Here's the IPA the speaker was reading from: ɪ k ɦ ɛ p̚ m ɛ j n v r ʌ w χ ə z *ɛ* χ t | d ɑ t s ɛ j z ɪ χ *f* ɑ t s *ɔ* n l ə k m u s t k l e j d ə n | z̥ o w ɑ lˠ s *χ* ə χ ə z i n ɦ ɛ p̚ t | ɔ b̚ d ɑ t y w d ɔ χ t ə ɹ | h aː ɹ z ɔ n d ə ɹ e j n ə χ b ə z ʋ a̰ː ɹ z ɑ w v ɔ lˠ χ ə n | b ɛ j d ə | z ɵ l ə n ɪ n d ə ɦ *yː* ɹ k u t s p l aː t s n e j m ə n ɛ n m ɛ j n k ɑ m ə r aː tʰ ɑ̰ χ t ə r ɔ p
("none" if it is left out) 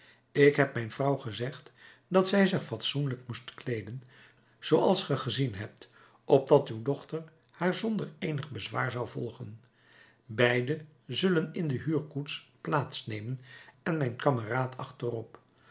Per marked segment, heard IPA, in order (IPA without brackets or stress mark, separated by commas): ɛ, f, u, χ, yː